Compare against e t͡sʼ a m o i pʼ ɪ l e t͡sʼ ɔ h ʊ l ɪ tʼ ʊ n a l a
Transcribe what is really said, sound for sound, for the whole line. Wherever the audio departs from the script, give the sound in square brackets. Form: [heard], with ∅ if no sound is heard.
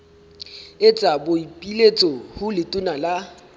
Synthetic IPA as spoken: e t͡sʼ a [b] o i pʼ [i] l e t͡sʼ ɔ h ʊ l ɪ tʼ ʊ n a l a